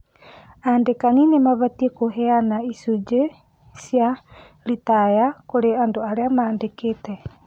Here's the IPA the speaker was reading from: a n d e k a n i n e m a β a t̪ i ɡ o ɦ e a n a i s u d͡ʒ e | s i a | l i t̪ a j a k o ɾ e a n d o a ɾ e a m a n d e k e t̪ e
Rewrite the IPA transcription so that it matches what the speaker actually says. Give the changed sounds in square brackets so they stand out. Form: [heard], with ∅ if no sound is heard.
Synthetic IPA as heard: a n d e k a n i n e m a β a t̪ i [k] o ɦ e a n a i s u d͡ʒ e | s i a | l i t̪ a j a k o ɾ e a n d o a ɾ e a m a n d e k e t̪ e

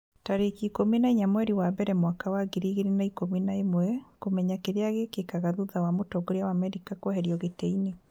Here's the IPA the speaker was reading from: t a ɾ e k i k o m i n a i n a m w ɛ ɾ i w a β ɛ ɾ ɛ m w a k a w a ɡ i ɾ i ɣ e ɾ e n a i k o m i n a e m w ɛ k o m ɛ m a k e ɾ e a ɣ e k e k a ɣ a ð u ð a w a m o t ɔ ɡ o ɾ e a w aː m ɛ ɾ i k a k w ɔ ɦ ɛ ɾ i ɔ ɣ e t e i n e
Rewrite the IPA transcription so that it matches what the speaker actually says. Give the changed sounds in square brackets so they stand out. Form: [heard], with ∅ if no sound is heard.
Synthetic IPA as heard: t a ɾ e k i k o m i n a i [ɲ] a m w ɛ ɾ i w a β ɛ ɾ ɛ m w a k a w a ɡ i ɾ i ɣ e ɾ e n a i k o m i n a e m w ɛ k o m ɛ [ɲ] a k e ɾ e a ɣ e k e k a ɣ a ð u ð a w a m o t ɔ ɡ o ɾ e a w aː m ɛ ɾ i k a k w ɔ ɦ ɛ ɾ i ɔ ɣ e t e i n e

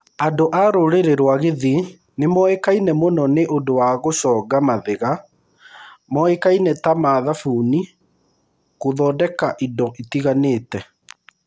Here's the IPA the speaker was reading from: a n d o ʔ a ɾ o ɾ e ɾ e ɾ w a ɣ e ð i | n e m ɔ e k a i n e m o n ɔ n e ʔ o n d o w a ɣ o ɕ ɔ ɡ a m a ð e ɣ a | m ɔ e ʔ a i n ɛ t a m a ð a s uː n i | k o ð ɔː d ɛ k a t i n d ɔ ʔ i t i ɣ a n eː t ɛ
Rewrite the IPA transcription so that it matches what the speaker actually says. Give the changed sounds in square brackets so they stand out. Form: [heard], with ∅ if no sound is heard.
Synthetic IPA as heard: a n d o ʔ a ɾ o ɾ e ɾ e ɾ w a ɣ e ð i | n e m ɔ e k a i n [ɛ] m o n ɔ n e ʔ o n d o w a ɣ o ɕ ɔ ɡ a m a ð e ɣ a | m ɔ e [k] a i n ɛ t a m a ð a [f] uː n i | k o ð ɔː d ɛ k a [ʔ] i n d ɔ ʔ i t i ɣ a n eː t ɛ

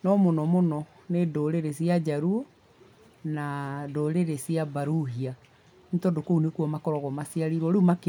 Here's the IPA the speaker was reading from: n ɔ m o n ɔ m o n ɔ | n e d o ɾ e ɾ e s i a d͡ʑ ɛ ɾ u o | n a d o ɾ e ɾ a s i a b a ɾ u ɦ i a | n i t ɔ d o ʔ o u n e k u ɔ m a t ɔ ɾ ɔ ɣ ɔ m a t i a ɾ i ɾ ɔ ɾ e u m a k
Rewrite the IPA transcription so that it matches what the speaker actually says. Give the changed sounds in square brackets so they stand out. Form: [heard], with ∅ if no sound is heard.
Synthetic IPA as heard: n ɔ m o n ɔ m o n ɔ | n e d o ɾ e ɾ e s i a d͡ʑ [a] ɾ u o | n a d o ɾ e ɾ [e] s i a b a ɾ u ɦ i a | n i t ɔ d o [k] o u n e k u ɔ m a [k] ɔ ɾ ɔ ɣ ɔ m a [s] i a ɾ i ɾ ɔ ɾ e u m a k

